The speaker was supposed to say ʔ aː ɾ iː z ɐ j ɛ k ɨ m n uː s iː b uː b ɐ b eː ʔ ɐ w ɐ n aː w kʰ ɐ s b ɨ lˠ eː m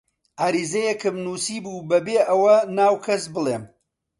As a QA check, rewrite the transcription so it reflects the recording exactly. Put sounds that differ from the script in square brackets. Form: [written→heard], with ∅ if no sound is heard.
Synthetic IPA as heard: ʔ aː ɾ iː z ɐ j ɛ k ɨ m n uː s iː b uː b ɐ b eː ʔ ɐ w ɐ n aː w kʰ ɐ s b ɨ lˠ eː m